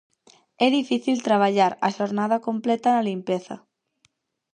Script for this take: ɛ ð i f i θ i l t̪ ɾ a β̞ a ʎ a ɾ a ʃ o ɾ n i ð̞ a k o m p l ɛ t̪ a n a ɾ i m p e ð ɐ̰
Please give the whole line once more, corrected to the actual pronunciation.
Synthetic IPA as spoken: ɛ ð i f i θ i l t̪ ɾ a β̞ a ʎ a ɾ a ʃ o ɾ n a ð̞ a k o m p l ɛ t̪ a n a l i m p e θ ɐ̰